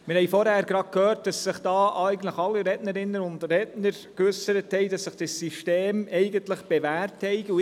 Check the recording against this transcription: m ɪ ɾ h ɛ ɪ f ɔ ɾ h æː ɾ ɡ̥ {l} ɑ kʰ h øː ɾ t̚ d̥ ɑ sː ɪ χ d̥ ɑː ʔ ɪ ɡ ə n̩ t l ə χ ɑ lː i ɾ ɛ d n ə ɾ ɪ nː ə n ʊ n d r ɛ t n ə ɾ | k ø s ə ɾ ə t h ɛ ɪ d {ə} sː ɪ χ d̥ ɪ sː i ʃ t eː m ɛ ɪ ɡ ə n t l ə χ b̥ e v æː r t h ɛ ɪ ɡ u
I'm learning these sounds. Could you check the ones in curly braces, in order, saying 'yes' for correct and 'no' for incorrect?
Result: no, no

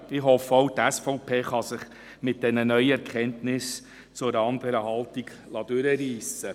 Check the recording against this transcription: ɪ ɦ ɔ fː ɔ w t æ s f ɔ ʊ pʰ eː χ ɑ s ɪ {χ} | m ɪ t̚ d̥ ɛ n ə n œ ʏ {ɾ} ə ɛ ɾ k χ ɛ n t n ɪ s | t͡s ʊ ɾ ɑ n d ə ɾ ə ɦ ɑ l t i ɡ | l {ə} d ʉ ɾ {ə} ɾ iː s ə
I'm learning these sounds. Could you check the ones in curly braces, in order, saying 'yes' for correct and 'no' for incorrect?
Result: yes, no, no, yes

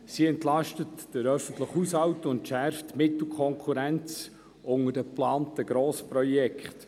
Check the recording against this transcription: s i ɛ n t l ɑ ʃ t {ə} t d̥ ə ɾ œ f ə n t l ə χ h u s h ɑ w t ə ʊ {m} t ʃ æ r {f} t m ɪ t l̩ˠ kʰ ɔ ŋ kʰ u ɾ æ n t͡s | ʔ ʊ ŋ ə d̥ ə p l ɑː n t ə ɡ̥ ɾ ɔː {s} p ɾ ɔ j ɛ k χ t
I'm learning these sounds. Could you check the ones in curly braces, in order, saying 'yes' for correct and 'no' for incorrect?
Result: yes, no, yes, yes

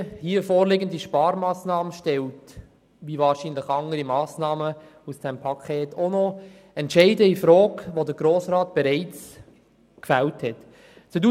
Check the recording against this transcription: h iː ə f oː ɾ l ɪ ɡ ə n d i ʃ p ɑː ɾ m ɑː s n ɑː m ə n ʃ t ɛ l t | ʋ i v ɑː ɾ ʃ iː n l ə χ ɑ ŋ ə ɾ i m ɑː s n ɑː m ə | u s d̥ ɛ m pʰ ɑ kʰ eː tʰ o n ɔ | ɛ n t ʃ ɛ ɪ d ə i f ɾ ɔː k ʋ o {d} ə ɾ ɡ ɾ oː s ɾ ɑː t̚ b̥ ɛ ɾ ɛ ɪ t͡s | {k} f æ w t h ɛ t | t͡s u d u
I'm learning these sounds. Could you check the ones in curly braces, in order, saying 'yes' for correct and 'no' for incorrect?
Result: yes, yes

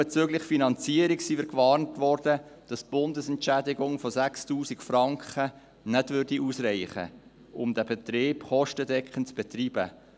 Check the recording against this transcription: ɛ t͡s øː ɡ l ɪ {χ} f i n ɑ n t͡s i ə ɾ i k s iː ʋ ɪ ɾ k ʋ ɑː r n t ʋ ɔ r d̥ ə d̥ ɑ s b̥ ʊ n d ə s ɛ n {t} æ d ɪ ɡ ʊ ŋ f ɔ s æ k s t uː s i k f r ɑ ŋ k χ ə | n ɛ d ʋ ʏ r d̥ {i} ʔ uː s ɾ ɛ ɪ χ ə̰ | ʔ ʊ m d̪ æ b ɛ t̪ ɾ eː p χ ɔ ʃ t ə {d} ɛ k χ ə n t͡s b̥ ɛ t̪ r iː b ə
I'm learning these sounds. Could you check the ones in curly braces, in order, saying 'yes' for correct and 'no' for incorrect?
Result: yes, no, yes, yes

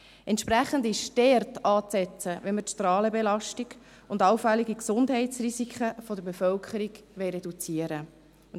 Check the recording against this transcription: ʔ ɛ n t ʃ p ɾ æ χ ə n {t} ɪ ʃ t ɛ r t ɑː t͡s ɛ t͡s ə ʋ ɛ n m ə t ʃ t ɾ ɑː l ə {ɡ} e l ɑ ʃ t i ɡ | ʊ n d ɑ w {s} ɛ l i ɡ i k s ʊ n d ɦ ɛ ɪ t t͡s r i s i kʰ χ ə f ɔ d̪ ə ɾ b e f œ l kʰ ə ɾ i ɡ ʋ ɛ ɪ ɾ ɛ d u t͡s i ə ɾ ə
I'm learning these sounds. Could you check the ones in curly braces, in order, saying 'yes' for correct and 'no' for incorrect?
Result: no, no, no

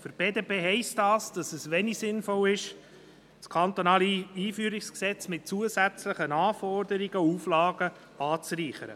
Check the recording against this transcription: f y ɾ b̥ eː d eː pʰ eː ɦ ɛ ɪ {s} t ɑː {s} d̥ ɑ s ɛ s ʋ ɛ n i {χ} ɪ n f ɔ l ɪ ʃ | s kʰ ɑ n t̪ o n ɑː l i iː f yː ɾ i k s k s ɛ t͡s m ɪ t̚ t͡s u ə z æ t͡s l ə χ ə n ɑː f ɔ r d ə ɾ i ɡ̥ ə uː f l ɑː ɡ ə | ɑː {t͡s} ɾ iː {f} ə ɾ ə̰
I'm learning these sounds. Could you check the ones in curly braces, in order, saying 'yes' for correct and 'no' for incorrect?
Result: yes, yes, no, yes, no

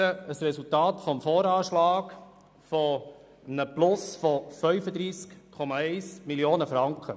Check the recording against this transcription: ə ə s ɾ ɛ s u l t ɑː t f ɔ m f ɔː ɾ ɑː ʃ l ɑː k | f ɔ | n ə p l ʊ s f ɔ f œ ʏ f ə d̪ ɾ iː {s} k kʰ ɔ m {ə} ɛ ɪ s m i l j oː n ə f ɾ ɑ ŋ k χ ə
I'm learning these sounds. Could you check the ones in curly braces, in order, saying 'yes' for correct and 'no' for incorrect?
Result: yes, no

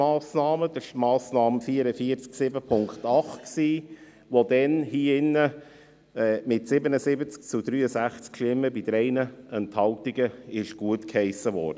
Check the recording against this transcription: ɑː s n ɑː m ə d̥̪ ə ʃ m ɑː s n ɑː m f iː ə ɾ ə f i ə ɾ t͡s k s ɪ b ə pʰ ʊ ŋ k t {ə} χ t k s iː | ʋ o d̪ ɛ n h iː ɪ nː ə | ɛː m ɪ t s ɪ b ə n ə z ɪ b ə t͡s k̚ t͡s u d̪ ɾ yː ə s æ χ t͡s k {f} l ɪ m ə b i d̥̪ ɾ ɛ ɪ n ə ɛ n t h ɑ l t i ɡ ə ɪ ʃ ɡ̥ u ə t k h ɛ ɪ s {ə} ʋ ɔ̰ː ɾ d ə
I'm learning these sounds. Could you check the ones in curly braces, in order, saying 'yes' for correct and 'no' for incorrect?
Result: no, no, yes

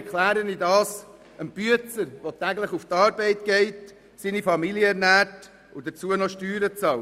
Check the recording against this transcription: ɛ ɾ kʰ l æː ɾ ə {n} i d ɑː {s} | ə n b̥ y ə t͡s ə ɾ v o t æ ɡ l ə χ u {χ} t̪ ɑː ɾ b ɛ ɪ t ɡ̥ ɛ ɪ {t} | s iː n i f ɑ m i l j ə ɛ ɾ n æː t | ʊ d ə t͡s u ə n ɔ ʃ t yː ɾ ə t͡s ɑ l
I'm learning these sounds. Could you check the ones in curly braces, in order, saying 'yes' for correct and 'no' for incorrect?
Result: yes, yes, no, yes

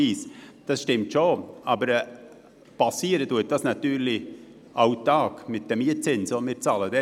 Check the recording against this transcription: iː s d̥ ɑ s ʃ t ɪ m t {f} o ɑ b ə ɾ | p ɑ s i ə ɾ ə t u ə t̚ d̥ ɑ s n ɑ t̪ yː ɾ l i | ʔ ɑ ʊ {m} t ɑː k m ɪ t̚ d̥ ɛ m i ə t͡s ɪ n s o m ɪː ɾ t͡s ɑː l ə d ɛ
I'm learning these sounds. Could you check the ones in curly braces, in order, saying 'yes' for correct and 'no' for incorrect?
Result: no, no

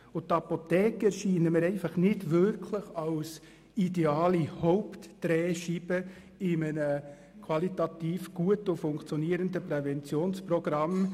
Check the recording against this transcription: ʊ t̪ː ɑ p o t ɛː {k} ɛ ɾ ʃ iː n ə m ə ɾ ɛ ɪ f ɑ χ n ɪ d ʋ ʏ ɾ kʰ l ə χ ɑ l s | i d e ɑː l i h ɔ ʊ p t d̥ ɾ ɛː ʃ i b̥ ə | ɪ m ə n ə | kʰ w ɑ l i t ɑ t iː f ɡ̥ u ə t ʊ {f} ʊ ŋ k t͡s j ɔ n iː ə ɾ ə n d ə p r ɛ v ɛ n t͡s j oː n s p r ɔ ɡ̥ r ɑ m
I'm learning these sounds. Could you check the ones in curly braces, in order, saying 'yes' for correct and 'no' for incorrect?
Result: yes, yes

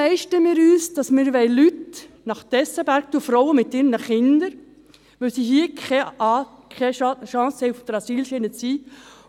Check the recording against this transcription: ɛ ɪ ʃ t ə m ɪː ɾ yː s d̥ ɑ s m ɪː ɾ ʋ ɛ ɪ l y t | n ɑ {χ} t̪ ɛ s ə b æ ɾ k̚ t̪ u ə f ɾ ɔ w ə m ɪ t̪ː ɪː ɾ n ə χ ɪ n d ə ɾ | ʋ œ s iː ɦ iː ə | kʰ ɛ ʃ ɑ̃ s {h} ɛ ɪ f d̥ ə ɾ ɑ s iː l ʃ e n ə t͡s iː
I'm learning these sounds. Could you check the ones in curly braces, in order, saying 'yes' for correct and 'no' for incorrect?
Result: yes, yes

